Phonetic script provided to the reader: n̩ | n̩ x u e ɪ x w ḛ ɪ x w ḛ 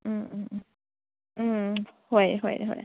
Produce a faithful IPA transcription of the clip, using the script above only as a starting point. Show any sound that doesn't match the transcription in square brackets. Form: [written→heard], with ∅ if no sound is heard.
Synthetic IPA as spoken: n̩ | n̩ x [u→w] e ɪ x w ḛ ɪ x w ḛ